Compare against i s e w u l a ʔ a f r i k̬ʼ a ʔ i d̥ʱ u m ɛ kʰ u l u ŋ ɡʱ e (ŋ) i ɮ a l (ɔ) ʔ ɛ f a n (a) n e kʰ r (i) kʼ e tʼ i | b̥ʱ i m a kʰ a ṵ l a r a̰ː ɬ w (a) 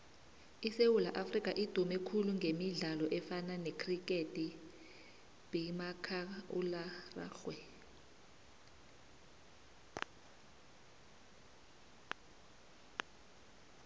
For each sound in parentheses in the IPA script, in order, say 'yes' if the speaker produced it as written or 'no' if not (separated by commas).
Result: no, yes, yes, yes, no